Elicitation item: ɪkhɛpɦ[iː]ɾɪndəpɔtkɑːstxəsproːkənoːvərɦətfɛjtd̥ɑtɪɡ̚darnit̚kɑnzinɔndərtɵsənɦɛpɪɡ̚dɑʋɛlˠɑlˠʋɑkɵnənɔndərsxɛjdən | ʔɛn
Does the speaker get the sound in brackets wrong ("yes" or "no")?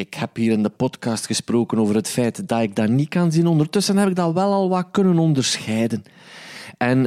no